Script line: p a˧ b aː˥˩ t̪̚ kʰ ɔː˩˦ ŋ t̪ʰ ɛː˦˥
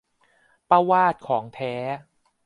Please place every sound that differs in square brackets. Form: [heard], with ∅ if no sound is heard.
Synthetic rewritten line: p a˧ [w] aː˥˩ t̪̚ kʰ ɔː˩˦ ŋ t̪ʰ ɛː˦˥